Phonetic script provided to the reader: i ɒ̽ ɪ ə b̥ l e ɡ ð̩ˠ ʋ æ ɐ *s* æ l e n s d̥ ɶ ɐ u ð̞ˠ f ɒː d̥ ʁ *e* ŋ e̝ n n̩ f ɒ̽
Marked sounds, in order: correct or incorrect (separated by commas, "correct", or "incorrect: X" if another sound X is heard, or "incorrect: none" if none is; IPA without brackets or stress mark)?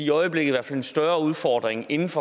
incorrect: f, correct